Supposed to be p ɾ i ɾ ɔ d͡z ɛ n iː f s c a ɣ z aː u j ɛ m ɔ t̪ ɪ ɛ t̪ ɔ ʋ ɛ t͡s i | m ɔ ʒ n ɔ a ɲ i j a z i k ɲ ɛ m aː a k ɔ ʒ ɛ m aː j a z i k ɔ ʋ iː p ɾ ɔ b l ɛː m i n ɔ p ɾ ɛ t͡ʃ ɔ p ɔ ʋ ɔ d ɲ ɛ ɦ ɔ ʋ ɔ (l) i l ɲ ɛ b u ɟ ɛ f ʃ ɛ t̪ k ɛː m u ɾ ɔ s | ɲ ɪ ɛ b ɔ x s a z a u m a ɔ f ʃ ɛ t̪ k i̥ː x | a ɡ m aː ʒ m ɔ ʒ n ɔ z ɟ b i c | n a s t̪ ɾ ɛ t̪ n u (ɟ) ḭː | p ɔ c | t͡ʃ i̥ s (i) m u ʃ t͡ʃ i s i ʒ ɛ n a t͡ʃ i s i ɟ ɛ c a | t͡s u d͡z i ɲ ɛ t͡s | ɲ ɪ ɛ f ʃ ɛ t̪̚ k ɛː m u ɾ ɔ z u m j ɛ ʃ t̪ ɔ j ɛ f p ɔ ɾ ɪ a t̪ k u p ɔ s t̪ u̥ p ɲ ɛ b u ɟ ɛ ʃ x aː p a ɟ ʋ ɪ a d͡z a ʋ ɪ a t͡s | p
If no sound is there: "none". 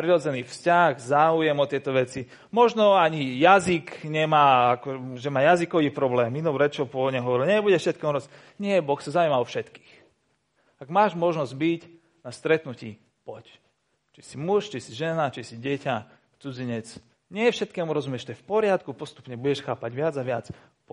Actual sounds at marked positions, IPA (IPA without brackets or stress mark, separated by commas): ɾ, c, i